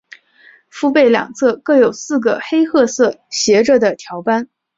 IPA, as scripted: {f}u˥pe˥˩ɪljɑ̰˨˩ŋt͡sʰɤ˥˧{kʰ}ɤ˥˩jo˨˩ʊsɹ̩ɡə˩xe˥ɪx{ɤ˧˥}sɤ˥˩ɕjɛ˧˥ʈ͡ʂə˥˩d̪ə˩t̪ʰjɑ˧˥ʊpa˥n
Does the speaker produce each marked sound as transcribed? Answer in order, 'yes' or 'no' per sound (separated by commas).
yes, no, no